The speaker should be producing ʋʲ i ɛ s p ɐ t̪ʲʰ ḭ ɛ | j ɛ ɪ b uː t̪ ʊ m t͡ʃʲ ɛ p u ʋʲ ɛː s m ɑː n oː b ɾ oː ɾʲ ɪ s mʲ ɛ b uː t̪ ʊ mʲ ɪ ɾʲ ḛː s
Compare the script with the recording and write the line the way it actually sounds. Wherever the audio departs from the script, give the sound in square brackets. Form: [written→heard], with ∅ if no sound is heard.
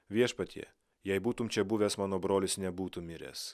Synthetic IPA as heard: ʋʲ i ɛ [s→ʃ] p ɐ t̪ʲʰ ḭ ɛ | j ɛ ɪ b uː t̪ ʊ m t͡ʃʲ ɛ [p→b] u ʋʲ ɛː s m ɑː n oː b ɾ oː [ɾʲ→lʲ] ɪ s [mʲ→nʲ] ɛ b uː t̪ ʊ mʲ ɪ ɾʲ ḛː s